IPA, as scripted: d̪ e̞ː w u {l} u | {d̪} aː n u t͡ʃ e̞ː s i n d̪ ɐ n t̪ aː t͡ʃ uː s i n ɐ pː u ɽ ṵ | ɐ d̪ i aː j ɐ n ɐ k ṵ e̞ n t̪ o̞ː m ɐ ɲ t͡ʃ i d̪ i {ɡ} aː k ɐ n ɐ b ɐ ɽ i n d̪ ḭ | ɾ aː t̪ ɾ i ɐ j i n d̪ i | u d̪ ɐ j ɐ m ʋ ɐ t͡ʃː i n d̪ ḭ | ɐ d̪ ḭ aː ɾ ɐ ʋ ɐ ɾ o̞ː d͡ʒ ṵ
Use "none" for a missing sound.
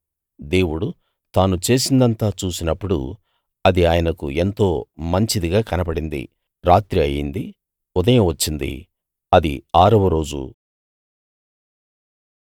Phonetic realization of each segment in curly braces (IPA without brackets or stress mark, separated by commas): ɽ, t̪, ɡ